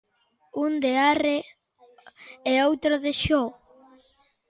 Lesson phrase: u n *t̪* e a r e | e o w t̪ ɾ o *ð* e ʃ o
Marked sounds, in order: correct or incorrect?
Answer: incorrect, correct

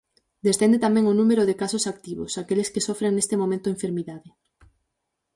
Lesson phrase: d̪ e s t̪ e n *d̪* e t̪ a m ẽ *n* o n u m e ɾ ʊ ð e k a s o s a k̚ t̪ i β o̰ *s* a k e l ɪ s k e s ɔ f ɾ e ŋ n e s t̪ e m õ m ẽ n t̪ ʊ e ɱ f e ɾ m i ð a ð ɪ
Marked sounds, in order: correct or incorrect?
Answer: correct, incorrect, correct

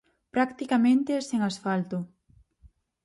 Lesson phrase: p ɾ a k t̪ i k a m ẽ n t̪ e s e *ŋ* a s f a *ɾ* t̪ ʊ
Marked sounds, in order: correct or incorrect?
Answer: correct, incorrect

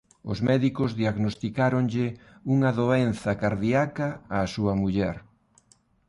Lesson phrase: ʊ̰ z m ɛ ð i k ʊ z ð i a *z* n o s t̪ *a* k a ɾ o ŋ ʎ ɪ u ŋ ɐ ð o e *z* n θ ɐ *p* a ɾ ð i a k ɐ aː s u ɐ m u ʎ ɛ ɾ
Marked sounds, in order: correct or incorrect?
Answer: incorrect, incorrect, incorrect, incorrect

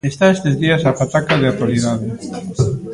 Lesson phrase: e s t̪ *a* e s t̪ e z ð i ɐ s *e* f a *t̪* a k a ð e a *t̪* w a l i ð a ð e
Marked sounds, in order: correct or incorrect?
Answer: correct, incorrect, correct, correct

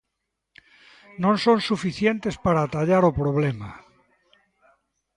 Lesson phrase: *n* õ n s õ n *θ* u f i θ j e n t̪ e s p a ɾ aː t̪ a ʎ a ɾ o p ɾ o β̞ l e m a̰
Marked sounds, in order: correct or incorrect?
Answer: correct, incorrect

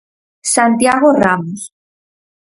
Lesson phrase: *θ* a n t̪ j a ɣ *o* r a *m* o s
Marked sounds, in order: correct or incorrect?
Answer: incorrect, correct, correct

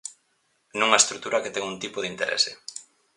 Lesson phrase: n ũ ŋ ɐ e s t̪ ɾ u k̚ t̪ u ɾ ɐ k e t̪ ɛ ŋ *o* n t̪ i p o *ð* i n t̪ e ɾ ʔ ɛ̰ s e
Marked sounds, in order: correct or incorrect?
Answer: incorrect, correct

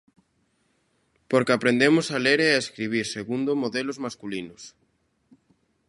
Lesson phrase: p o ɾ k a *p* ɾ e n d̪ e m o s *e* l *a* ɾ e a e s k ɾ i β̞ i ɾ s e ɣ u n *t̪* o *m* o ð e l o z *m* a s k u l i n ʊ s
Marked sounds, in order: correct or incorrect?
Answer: correct, incorrect, incorrect, incorrect, correct, correct

